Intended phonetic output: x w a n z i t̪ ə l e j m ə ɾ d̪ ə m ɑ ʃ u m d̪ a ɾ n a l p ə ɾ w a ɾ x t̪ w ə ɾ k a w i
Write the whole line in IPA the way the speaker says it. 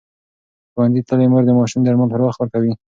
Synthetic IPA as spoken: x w a n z i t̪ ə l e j m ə ɾ d̪ ə m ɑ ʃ u m d̪ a ɾ m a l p ə ɾ w a x t̪ w ə ɾ k a w i